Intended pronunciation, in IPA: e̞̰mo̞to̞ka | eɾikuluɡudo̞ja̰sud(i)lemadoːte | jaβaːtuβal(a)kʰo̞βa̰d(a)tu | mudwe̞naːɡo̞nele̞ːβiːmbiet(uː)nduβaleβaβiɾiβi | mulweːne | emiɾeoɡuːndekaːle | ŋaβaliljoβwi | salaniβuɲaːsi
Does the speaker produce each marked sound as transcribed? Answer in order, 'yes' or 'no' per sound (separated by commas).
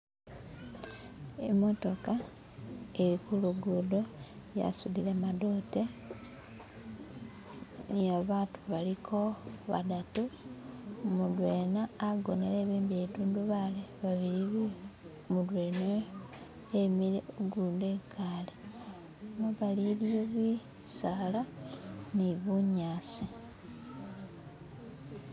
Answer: yes, no, yes, yes